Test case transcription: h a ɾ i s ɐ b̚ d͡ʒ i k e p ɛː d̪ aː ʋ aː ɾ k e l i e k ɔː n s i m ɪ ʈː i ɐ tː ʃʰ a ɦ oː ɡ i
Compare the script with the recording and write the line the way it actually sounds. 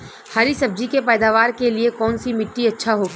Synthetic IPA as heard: h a ɾ i s ɐ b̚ d͡ʒ i k e p ɛː d̪ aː ʋ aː ɾ k e l i e k ɔː n s i m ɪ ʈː i ɐ tː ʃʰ a ɦ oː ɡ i